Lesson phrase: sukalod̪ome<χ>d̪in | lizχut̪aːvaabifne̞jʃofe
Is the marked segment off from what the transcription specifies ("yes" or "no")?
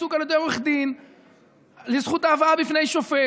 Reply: no